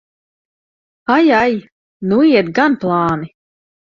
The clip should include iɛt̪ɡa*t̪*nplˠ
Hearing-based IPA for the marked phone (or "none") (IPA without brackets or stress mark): none